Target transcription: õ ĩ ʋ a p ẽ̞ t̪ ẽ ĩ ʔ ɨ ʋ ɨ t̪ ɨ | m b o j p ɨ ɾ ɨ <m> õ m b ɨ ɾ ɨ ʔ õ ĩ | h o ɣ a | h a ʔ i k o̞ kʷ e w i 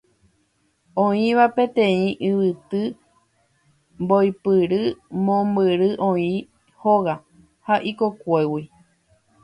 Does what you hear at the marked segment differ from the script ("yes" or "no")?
no